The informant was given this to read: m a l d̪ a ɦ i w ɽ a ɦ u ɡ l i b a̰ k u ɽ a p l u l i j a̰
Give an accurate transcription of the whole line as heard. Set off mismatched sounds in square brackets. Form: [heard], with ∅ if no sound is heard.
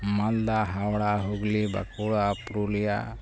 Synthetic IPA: m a l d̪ a ɦ [a] w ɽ a ɦ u ɡ l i b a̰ k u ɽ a p [ɾ] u l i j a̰